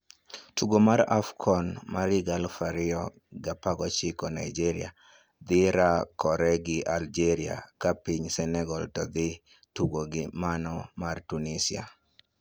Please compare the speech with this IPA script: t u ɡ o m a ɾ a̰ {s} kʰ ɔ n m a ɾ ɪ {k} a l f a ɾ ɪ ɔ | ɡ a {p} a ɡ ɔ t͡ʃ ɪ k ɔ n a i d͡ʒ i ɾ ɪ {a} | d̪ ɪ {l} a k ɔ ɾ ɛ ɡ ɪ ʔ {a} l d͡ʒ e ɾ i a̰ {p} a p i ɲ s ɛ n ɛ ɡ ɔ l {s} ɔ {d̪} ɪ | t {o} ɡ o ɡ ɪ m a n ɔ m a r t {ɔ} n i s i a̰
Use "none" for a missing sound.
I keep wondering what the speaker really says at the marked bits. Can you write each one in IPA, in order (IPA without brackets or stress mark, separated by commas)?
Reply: f, ɡ, p, a, ɾ, a, k, t, d̪, u, u